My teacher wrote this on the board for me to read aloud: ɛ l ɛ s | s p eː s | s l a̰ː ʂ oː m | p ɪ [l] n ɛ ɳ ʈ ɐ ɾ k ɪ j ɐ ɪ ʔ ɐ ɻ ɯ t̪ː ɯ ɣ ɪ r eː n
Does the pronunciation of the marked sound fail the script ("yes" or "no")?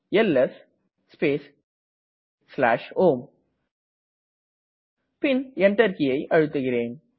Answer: yes